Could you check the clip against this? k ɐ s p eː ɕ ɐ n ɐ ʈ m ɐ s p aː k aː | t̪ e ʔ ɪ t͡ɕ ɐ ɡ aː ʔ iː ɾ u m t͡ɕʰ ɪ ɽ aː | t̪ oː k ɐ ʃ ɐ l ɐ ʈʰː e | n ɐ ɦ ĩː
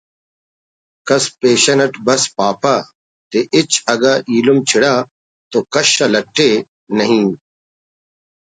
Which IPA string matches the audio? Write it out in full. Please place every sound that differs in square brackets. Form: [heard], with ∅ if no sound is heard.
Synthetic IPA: k ɐ s p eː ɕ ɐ n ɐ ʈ [b] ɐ s p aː [p] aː | t̪ e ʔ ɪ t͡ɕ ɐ ɡ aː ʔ iː [l] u m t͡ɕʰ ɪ ɽ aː | t̪ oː k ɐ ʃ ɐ l ɐ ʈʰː e | n ɐ ɦ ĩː